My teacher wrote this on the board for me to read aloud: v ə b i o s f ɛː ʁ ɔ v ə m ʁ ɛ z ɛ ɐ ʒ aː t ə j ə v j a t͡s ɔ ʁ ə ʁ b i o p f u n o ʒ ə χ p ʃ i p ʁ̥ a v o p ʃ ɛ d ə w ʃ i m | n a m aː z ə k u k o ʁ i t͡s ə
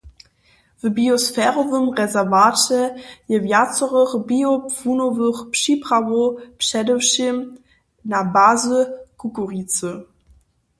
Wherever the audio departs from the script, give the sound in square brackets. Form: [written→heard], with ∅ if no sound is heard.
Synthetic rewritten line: v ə b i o s f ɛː ʁ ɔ v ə m ʁ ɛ z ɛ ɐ [ʒ→v] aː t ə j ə v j a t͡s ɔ ʁ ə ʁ b i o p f u n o [ʒ→v] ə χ p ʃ i p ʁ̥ a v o p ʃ ɛ d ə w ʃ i m | n a [m→b] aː z ə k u k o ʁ i t͡s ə

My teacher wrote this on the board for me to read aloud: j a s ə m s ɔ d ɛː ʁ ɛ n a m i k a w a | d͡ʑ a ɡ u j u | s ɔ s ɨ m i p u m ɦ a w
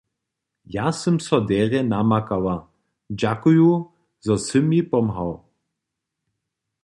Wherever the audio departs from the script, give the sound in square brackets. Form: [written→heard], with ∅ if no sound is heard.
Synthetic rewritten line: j a s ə m s ɔ d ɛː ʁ ɛ n a m [i→a] k a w a | d͡ʑ a [ɡ→k] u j u | [s→z] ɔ s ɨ m i p [u→ɔ] m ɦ a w

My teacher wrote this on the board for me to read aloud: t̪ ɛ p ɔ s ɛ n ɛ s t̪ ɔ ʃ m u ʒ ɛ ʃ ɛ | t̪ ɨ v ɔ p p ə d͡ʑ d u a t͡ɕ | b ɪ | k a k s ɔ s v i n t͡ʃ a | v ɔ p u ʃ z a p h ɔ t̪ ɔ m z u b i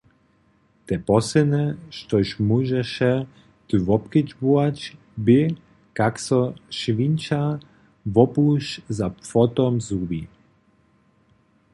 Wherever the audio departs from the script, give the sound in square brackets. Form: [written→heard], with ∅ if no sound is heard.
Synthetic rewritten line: t̪ ɛ p ɔ s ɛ n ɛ [s→ʃ] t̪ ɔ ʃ m u ʒ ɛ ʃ ɛ | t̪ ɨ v ɔ p [p→k] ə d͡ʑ [d→b] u a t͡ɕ | b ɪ | k a k s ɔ [s→ʃ] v i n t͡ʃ a | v ɔ p u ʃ z a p [h→f] ɔ t̪ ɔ m z u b i

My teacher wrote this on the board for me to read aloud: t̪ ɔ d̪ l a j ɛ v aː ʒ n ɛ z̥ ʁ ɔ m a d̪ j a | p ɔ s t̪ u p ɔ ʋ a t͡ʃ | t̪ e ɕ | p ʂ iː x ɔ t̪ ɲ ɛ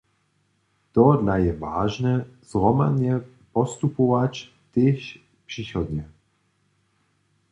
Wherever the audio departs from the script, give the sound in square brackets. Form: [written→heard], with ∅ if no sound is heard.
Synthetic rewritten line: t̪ ɔ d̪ l a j ɛ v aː ʒ n ɛ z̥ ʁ ɔ m a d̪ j [a→ɛ] | p ɔ s t̪ u p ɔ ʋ a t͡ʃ | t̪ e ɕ | p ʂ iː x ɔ [t̪→d̪] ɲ ɛ

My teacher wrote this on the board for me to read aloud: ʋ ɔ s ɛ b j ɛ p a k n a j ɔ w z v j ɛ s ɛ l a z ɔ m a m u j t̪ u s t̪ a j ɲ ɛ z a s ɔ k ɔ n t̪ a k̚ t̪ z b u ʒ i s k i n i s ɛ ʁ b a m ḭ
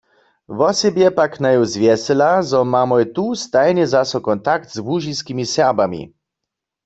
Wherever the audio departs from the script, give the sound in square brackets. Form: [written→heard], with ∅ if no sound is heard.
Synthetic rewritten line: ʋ ɔ s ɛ b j ɛ p a k n a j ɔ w z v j ɛ s ɛ l a z ɔ m a m [u→ɔ] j t̪ u s t̪ a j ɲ ɛ z a s ɔ k ɔ n t̪ a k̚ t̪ z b u ʒ i s k i [n→m] i s ɛ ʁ b a m ḭ

